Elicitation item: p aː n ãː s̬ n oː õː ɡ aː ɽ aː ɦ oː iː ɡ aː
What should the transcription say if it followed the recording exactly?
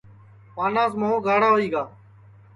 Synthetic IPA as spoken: p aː n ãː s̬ m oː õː ɡ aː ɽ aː ɦ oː iː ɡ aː